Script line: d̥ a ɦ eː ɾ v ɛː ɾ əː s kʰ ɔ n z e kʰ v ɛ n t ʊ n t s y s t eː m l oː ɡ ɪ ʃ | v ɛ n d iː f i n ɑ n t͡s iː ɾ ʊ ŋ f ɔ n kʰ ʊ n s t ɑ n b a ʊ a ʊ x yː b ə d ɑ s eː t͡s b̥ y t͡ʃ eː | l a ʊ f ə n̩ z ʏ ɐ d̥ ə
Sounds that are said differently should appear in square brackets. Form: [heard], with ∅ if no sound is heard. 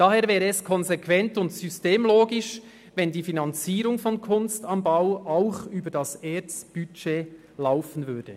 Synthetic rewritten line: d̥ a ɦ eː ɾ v ɛː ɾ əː s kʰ ɔ n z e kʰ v ɛ n t ʊ n t s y s t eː m l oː ɡ ɪ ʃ | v ɛ n d iː f i n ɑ n t͡s iː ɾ ʊ ŋ f ɔ n kʰ ʊ n s t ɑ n b a ʊ a ʊ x yː b ə d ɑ s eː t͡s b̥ y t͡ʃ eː | l a ʊ f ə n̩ [v] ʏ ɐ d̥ ə